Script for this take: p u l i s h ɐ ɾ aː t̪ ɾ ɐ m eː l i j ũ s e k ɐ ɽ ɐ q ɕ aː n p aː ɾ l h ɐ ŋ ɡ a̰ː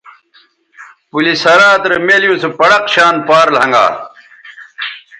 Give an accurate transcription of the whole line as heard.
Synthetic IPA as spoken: p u l i s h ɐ ɾ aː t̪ ɾ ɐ m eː l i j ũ s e p ɐ ɽ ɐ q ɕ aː n p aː ɾ l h ɐ ŋ ɡ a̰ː